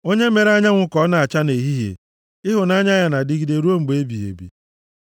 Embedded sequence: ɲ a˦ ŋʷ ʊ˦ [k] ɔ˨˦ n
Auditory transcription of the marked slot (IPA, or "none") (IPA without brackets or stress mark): k